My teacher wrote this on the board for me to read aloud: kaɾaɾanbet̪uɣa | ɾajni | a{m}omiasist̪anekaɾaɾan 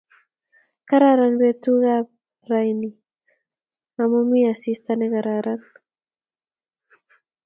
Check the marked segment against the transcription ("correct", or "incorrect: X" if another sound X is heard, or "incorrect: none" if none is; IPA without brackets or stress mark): correct